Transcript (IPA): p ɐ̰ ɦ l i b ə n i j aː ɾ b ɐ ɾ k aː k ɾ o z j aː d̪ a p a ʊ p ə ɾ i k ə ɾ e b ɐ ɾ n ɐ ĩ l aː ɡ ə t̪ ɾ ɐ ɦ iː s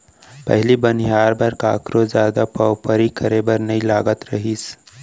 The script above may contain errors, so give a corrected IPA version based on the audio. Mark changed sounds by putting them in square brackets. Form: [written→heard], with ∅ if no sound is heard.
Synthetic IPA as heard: p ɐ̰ ɦ l i b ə n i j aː ɾ b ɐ ɾ k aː k ɾ o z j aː d̪ a p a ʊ p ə ɾ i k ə ɾ e b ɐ ɾ n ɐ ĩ l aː ɡ ə t̪ ɾ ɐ ɦ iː s